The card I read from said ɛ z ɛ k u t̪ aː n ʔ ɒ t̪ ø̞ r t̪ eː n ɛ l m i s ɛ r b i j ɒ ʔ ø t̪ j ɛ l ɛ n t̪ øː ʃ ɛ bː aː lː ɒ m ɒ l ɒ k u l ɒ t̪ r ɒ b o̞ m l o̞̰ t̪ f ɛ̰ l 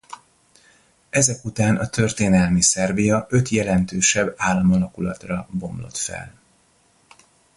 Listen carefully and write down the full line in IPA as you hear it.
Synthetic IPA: ɛ z ɛ k u t̪ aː n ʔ ɒ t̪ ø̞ r t̪ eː n ɛ l m i s ɛ r b i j ɒ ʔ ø t̪ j ɛ l ɛ n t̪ øː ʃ ɛ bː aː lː ɒ m ɒ l ɒ k u l ɒ t̪ r ɒ b o̞ m l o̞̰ t̪ f ɛ̰ l